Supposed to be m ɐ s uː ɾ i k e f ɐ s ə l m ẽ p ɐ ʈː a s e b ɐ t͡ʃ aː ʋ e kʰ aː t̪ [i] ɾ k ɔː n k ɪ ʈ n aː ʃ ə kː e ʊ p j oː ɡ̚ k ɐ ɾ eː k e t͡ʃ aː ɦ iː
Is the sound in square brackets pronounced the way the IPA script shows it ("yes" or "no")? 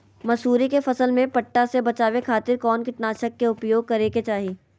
no